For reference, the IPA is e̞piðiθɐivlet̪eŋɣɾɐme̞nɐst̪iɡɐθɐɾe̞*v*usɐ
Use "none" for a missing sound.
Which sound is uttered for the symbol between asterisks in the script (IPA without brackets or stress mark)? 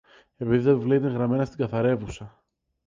v